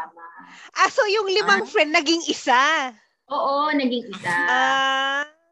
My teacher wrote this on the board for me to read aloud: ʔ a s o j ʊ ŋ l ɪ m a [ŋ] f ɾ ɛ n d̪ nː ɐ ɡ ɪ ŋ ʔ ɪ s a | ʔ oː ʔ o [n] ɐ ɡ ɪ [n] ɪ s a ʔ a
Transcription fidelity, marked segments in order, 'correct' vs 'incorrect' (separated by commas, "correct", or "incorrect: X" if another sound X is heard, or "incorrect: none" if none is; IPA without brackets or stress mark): correct, correct, incorrect: ŋ